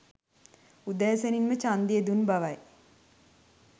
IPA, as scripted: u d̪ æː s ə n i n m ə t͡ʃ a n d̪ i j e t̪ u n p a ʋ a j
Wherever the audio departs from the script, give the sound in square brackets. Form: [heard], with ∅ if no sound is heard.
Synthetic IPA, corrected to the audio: u d̪ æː s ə n i n m ə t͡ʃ a n d̪ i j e [d̪] u n [b] a ʋ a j